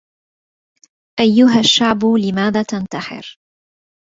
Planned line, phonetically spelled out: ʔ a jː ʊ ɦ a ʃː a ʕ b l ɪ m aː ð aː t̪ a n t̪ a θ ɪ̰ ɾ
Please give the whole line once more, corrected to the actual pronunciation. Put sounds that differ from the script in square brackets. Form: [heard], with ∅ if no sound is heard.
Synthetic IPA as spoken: ʔ a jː ʊ ɦ a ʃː a ʕ b l ɪ m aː ð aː t̪ a n t̪ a [ħ] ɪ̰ ɾ